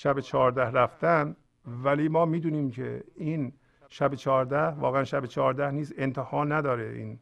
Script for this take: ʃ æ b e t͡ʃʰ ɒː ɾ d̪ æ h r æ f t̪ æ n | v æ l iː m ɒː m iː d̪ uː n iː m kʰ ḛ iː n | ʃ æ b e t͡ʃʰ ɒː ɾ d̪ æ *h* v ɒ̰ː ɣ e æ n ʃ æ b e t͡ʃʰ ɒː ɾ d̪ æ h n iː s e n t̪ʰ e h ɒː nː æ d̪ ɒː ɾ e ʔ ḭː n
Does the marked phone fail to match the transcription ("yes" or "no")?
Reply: no